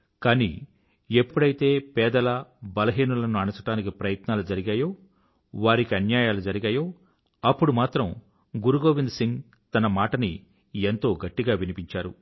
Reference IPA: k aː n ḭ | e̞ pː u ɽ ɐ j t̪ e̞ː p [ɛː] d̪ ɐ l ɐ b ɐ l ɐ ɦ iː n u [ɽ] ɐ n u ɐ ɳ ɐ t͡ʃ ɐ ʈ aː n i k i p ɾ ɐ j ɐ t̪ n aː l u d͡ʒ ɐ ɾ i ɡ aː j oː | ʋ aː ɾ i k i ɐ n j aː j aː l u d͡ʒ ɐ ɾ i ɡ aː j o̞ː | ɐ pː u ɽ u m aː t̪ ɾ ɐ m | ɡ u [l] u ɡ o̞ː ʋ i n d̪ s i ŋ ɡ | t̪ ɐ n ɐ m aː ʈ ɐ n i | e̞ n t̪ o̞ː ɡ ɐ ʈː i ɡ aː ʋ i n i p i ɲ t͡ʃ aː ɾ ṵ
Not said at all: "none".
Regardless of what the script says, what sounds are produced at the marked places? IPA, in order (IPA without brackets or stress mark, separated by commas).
ɛː, l, ɾ